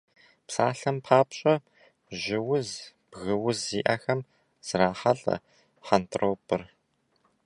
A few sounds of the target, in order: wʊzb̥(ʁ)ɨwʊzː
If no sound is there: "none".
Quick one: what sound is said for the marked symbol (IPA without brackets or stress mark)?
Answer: ɣ